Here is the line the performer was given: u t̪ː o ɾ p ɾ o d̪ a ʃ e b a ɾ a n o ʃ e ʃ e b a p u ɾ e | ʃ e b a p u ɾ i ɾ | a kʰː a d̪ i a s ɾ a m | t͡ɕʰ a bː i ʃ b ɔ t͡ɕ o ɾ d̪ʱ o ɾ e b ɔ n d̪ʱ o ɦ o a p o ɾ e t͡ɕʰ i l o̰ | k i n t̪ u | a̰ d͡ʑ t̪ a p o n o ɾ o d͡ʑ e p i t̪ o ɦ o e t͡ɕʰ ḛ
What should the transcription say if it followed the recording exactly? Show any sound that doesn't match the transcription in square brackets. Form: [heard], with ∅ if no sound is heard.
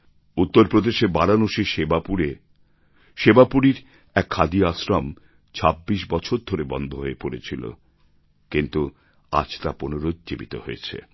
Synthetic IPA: u t̪ː o ɾ p ɾ o d̪ [e] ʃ e b a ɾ a n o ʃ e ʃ e b a p u ɾ e | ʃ e b a p u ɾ i ɾ | [ɛ] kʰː a d̪ i a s ɾ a m | t͡ɕʰ a bː i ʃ b ɔ [t͡ɕʰ] o ɾ d̪ʱ o ɾ e b ɔ n d̪ʱ o ɦ o [e] p o ɾ e t͡ɕʰ i l o̰ | k i n t̪ u | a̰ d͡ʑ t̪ a p o n o ɾ o d͡ʑ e [b] i t̪ o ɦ o e t͡ɕʰ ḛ